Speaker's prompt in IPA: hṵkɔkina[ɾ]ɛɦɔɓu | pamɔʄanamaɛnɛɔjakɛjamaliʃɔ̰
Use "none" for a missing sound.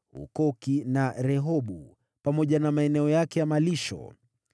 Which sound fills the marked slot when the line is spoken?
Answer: ɾ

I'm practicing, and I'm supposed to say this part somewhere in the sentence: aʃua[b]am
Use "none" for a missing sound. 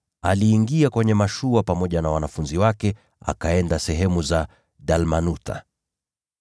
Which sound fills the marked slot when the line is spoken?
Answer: p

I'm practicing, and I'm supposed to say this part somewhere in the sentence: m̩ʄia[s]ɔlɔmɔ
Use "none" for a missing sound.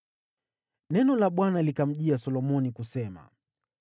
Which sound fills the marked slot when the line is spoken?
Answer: s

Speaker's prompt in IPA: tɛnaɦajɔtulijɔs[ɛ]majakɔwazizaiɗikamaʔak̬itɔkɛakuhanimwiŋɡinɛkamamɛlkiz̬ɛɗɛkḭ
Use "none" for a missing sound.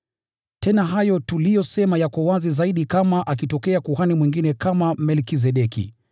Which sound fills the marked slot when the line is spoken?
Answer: ɛ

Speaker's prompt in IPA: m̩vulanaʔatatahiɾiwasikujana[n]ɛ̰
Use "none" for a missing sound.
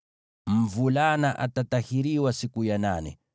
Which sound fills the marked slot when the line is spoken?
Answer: n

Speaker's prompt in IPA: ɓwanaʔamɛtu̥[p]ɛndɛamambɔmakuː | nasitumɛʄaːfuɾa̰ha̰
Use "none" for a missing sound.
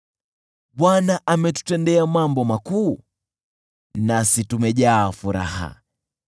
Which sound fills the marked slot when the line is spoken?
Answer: t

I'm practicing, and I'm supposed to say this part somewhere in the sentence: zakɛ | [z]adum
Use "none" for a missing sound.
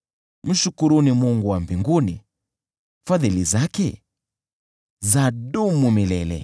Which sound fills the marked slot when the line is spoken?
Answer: z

